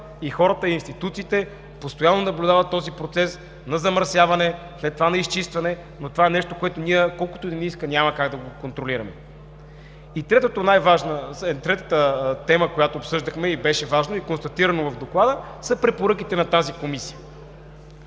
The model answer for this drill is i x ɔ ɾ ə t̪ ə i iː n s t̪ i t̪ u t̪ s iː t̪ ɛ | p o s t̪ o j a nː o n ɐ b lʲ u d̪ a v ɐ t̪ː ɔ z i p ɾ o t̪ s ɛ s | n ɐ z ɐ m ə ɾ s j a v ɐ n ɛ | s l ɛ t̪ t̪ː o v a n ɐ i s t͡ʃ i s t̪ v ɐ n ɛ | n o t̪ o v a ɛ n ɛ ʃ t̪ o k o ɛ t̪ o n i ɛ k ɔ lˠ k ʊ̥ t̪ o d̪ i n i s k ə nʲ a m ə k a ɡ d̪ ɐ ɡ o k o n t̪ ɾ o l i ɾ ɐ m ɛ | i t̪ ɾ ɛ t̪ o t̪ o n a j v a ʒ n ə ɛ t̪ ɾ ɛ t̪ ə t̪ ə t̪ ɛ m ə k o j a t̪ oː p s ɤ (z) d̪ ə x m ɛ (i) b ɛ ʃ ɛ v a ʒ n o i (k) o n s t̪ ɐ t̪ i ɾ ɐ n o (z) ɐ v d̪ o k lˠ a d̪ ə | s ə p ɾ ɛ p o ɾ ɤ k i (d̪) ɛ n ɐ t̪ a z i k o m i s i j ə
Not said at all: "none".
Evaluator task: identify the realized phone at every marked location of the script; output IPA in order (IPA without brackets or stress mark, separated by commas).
ʒ, i, k, v, t̪